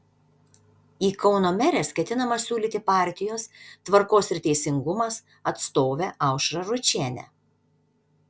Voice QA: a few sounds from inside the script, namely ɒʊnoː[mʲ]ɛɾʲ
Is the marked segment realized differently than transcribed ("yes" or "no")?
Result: no